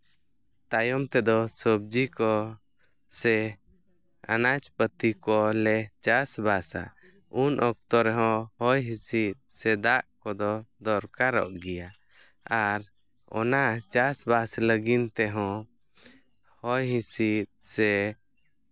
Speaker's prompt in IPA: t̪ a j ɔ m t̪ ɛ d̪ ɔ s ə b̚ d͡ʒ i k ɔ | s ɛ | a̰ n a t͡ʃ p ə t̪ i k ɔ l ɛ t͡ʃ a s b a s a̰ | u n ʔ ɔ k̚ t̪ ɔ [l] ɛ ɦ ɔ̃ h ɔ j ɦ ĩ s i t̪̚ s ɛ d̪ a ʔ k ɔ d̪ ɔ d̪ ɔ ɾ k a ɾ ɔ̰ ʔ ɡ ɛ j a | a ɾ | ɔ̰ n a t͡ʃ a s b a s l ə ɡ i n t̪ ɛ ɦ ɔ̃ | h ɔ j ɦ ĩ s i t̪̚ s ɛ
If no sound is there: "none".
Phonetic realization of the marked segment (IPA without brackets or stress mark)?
ɾ